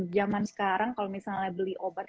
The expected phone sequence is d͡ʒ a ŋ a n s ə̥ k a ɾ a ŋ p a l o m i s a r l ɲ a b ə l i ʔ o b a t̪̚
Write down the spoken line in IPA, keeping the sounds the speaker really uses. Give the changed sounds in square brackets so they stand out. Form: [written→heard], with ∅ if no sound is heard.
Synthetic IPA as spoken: d͡ʒ a [ŋ→m] a n s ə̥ k a ɾ a ŋ [p→k] a l o m i s a [r→l] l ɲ a b ə l i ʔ o b a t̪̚